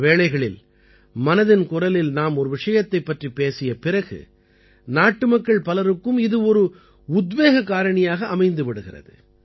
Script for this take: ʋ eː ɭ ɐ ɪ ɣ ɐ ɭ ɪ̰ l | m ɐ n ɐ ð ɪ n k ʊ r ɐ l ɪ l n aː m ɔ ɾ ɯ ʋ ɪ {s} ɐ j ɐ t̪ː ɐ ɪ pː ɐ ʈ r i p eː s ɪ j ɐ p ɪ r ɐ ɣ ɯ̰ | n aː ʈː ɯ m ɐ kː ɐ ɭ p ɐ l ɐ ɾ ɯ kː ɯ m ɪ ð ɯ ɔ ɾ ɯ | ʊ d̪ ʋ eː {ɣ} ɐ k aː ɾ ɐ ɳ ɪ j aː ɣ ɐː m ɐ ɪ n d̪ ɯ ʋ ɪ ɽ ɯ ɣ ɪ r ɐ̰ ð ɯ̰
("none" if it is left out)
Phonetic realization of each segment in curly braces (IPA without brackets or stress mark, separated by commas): ʂ, ɣ